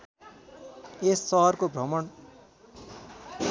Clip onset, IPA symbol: e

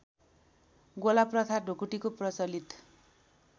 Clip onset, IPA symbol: ɡ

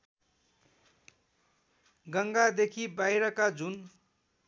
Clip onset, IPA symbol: ɡ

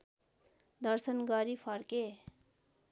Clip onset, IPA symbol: d̪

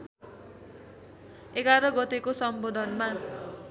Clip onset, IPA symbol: e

